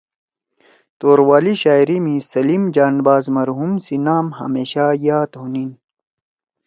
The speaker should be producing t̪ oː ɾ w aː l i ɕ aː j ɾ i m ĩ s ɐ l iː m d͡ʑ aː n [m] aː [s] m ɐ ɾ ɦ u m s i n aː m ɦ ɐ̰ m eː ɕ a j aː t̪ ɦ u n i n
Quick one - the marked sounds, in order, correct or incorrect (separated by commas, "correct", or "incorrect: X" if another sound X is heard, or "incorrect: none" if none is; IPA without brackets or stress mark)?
incorrect: b, incorrect: z